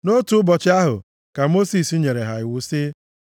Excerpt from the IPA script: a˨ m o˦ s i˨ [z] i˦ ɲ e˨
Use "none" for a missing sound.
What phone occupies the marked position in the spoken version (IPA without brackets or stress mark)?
s